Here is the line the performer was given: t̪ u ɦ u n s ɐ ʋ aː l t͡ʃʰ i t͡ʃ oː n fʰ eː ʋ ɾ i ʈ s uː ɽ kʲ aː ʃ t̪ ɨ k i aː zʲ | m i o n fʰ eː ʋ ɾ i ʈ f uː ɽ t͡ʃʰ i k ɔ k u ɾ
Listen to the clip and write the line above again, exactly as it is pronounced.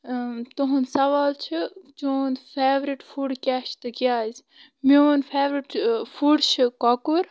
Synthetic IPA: t̪ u ɦ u n s ɐ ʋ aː l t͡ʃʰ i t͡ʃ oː n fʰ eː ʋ ɾ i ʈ f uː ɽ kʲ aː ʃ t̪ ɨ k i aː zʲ | m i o n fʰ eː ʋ ɾ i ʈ f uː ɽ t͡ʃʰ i k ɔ k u ɾ